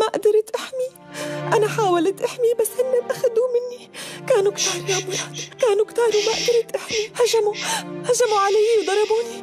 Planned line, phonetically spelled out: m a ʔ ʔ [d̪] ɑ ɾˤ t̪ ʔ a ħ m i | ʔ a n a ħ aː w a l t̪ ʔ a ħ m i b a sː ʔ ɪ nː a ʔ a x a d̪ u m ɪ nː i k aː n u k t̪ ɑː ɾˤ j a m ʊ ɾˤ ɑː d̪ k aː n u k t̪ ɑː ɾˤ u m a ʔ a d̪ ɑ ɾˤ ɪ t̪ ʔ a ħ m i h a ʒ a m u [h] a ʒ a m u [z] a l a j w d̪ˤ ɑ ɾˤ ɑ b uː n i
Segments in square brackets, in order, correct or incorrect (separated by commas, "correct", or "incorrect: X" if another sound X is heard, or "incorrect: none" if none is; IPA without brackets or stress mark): correct, correct, incorrect: ʕ